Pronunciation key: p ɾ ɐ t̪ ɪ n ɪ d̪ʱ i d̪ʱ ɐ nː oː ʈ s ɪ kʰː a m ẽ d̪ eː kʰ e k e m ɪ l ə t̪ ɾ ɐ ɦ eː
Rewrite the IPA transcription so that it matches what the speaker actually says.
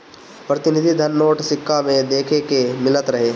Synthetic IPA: p ɾ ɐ t̪ ɪ n ɪ d̪ʱ i d̪ʱ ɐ nː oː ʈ s ɪ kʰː a m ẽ d̪ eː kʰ e k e m ɪ l ə t̪ ɾ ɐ ɦ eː